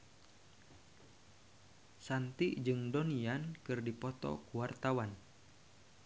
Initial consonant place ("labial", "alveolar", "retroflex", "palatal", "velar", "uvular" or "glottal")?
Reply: alveolar